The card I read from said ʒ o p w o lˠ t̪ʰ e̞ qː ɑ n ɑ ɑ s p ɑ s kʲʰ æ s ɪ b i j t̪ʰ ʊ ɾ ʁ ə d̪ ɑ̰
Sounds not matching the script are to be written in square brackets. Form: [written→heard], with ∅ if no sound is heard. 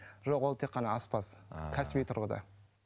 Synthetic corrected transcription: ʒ o [p→q] w o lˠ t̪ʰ e̞ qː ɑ n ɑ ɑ s p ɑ s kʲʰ æ s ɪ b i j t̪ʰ ʊ ɾ ʁ ə d̪ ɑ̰